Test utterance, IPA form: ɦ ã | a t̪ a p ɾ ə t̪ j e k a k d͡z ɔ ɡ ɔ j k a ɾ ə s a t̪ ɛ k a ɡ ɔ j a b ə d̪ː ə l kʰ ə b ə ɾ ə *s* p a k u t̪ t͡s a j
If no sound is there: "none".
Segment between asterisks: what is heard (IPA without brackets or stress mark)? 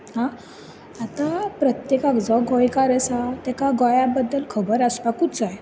s